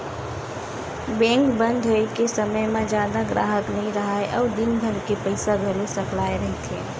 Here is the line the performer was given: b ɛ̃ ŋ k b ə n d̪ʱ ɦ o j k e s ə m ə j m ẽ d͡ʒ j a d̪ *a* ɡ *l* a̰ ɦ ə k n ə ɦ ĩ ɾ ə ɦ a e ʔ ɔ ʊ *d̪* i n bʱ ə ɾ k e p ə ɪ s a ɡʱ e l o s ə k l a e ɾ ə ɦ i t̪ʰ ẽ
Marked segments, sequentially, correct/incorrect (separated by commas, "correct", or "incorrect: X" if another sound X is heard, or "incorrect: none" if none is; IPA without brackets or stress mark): correct, incorrect: ɾ, correct